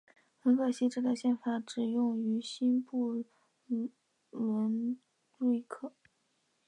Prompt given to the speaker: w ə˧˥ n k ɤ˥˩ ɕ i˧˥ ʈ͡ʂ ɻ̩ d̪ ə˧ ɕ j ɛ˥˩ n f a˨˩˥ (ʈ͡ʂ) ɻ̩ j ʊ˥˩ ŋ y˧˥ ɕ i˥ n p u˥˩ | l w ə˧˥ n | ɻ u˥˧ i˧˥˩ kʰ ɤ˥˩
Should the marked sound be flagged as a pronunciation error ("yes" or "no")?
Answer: no